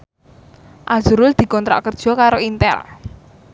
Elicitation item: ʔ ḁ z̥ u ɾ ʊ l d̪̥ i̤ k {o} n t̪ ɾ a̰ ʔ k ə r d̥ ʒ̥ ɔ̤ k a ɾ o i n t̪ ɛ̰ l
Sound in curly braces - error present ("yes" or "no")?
yes